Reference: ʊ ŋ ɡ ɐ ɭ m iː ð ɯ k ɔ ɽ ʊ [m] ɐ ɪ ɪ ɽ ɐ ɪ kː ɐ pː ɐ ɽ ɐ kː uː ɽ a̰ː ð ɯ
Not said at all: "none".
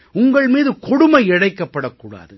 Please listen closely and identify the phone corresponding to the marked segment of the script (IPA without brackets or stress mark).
m